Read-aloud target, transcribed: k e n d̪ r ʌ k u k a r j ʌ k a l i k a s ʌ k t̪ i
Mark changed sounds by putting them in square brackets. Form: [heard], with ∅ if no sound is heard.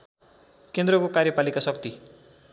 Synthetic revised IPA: k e n d̪ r ʌ k [o] k a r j ʌ [p] a l i k a s ʌ k t̪ i

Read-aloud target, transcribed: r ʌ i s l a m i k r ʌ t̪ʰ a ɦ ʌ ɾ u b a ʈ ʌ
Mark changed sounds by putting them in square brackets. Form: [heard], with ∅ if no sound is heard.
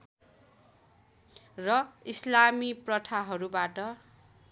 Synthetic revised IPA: r ʌ i s l a m i [p] r ʌ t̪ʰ a ɦ ʌ ɾ u b a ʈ ʌ

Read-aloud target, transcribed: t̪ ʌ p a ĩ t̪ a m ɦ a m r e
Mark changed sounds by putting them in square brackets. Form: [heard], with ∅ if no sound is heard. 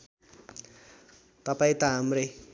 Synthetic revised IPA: t̪ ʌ p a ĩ t̪ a [∅] ɦ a m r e

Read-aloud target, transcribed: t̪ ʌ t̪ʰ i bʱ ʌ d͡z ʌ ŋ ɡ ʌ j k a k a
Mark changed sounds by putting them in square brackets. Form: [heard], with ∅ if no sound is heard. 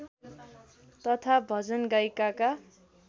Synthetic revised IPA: t̪ ʌ t̪ʰ [a] bʱ ʌ d͡z ʌ [n] ɡ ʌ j k a k a

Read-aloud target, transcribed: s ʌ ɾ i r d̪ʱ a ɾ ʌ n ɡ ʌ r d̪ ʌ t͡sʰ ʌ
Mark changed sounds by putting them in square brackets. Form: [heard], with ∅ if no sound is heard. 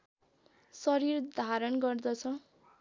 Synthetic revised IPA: s ʌ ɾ i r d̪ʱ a ɾ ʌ n ɡ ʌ r d̪ ʌ t͡sʰ ʌ

